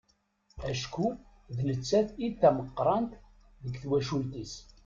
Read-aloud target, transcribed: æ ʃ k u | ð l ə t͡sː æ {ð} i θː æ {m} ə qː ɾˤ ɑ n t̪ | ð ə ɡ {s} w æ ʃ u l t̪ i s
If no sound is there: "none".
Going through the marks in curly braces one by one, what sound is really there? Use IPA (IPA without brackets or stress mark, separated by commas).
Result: θ, m, θ